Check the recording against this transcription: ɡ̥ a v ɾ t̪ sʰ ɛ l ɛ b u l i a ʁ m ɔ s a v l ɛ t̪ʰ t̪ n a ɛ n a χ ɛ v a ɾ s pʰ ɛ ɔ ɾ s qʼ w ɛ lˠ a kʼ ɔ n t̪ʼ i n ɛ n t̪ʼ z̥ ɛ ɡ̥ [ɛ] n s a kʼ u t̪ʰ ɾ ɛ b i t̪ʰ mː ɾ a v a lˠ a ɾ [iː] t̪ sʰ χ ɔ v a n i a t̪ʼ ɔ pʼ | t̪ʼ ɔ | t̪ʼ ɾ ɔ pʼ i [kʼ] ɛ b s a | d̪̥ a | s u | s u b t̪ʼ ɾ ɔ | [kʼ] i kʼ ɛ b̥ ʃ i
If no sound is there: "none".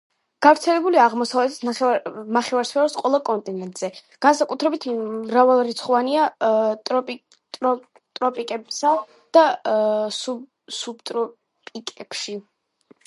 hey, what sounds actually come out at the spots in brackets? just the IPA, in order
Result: a, i, kʼ, pʼ

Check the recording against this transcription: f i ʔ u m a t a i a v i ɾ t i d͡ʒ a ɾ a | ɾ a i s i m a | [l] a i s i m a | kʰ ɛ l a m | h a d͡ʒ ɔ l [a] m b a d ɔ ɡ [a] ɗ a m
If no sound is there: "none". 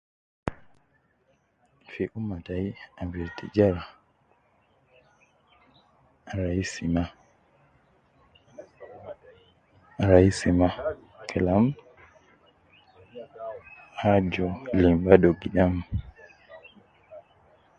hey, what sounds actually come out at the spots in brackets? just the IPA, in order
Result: ɾ, i, i

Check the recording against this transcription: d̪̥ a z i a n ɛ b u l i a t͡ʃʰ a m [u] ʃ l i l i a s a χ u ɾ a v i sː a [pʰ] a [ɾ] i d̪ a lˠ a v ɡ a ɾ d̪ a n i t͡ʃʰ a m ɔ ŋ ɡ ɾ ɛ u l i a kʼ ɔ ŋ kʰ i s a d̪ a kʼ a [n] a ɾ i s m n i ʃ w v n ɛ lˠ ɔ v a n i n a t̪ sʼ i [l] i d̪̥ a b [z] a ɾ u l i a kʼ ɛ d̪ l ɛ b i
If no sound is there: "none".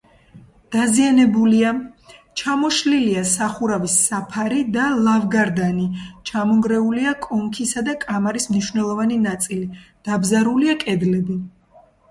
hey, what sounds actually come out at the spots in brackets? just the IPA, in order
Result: ɔ, pʰ, ɾ, m, l, z

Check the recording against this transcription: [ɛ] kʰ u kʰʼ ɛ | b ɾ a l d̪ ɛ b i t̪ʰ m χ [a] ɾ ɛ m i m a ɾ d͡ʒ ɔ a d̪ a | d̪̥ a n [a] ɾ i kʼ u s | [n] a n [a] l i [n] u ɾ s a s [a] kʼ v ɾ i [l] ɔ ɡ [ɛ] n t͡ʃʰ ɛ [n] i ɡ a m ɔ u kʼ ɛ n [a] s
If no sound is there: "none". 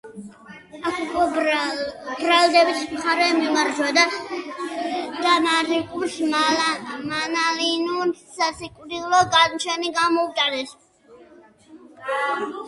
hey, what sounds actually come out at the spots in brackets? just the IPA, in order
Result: a, a, a, m, a, n, i, l, a, n, ɛ

